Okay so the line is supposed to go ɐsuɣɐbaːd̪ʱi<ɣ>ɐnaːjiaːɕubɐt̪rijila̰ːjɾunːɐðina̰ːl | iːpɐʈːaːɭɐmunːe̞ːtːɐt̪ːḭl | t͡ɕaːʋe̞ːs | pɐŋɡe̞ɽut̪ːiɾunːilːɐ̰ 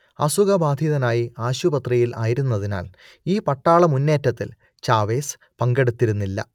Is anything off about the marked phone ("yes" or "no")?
yes